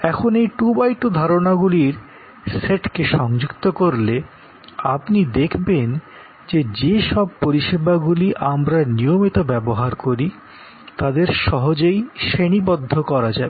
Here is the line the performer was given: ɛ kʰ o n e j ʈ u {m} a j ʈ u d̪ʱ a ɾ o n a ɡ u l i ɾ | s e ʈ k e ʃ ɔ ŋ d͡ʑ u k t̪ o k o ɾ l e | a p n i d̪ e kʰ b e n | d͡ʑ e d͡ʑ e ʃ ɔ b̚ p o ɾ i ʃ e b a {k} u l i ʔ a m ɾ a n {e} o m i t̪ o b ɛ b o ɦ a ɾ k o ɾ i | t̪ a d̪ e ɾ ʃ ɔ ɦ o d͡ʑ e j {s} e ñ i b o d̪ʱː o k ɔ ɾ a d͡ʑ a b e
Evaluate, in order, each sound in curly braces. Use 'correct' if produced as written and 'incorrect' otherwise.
incorrect, incorrect, incorrect, incorrect

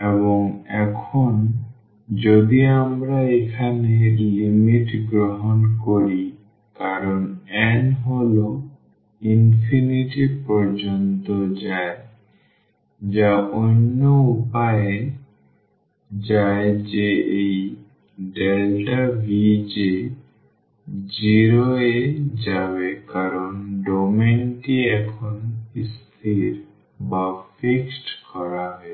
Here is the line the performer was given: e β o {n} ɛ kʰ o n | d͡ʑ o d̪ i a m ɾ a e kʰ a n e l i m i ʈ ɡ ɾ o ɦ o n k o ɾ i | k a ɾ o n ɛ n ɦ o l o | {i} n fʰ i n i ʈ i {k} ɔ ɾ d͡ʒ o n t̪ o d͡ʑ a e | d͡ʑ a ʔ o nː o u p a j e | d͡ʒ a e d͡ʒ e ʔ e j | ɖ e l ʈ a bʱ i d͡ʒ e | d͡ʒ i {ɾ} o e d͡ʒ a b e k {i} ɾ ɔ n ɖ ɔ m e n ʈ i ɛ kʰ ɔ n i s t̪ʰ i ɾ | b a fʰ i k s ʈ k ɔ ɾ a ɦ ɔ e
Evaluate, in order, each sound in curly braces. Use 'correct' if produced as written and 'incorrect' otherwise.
incorrect, correct, incorrect, correct, incorrect

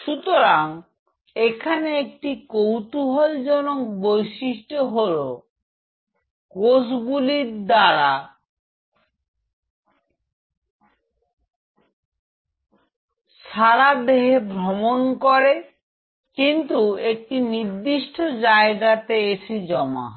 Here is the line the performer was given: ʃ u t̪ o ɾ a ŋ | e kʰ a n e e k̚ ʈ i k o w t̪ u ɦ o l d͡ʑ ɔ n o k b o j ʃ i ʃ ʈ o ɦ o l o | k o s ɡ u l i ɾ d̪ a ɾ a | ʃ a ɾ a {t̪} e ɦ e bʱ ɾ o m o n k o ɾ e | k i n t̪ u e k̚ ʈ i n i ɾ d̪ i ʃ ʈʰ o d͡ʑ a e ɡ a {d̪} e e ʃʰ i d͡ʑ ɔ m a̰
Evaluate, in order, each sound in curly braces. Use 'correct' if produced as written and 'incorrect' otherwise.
incorrect, incorrect

